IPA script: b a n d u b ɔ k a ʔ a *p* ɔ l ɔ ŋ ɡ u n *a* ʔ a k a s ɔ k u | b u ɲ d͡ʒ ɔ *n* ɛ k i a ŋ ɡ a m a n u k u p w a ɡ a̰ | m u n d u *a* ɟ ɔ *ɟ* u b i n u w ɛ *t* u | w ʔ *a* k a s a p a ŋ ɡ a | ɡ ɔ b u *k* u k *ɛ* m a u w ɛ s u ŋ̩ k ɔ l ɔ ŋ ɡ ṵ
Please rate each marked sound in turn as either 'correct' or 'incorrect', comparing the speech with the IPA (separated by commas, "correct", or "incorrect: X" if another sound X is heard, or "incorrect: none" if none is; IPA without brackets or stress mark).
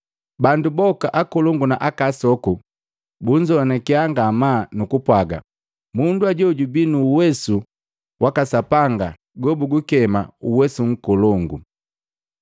incorrect: k, correct, correct, correct, correct, incorrect: s, correct, incorrect: ɡ, correct